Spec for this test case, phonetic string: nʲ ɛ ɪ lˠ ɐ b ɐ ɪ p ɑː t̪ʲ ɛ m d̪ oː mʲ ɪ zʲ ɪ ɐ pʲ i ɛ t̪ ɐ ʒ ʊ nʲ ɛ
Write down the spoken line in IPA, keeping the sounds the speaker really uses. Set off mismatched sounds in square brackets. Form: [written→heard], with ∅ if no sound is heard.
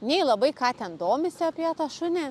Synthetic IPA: nʲ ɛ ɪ lˠ ɐ b ɐ ɪ [p→k] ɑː t̪ʲ ɛ [m→n] d̪ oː mʲ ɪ [zʲ→sʲ] ɪ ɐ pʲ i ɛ t̪ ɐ [ʒ→ʃ] ʊ nʲ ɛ